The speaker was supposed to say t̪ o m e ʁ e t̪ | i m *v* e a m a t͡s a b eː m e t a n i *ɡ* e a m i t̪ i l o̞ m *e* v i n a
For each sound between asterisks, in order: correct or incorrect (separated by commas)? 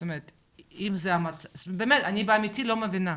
incorrect, incorrect, correct